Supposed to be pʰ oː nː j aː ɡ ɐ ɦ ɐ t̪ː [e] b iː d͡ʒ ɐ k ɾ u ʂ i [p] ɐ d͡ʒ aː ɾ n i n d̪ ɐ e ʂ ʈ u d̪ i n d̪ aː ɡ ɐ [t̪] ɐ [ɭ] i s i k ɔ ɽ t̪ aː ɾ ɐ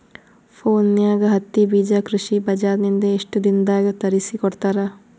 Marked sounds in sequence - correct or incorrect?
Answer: incorrect: i, incorrect: b, correct, incorrect: ɾ

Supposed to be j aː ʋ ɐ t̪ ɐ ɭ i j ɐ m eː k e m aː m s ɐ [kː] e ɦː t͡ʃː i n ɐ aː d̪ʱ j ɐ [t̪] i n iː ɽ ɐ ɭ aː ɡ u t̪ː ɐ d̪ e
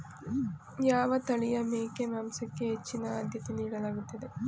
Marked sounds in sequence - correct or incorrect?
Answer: correct, correct

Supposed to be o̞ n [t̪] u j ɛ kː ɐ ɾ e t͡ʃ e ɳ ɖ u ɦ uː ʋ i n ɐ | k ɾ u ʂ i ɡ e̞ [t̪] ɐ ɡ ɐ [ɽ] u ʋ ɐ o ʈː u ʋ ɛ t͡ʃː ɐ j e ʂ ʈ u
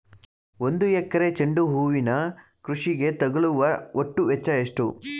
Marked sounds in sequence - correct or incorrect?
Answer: incorrect: d̪, correct, incorrect: ɭ

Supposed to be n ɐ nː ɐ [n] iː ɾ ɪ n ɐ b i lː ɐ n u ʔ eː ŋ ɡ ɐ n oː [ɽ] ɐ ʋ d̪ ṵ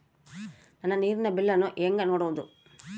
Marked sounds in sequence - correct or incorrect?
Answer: correct, correct

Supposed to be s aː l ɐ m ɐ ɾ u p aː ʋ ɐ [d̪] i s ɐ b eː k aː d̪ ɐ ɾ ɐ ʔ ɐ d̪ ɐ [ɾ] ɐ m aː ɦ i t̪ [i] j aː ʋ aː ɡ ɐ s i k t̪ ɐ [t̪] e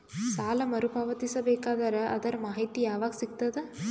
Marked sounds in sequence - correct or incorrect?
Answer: incorrect: t̪, correct, correct, incorrect: d̪

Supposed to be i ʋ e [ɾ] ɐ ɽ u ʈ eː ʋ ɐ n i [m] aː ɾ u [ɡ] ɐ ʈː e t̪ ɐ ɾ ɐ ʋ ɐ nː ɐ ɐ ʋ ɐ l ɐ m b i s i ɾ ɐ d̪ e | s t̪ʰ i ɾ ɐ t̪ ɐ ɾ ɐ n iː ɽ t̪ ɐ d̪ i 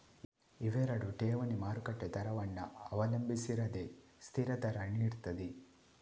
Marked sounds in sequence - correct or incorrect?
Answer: correct, correct, incorrect: k

